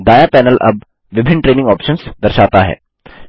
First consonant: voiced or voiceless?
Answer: voiced